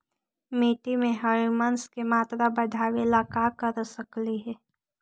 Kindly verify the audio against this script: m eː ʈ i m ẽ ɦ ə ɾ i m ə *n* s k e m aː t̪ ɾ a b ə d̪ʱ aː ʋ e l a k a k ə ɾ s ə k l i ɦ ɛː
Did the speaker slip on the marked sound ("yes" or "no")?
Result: no